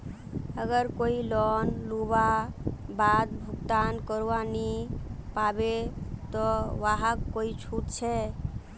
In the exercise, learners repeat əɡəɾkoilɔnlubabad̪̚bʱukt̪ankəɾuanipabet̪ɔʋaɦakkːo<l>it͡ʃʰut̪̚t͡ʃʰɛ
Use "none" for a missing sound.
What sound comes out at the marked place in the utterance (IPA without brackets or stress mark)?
none